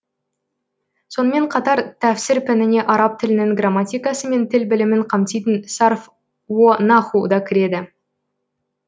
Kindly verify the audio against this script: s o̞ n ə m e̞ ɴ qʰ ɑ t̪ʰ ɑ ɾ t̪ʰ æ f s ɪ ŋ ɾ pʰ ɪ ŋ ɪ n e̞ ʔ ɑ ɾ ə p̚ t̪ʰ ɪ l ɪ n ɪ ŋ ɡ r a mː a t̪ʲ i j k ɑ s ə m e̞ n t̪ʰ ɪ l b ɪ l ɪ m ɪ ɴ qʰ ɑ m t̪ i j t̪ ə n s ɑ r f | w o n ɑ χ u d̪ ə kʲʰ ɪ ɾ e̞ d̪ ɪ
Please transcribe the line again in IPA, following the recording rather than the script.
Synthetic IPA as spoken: s o̞ n ə m e̞ ɴ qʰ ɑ t̪ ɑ ɾ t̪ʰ æ f s ɪ ɾ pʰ ɪ n ɪ n e̞ ʔ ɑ ɾ ɑ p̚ t̪ʰ ɪ l ɪ n ɪ ŋ ɡ r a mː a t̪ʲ i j k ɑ s ə m e̞ n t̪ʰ ɪ l b ɪ l ɪ m ɪ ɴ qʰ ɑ m t̪ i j t̪ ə n s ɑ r f | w o n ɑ χ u d̪ ɑ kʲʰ ɪ ɾ e̞ d̪ ɪ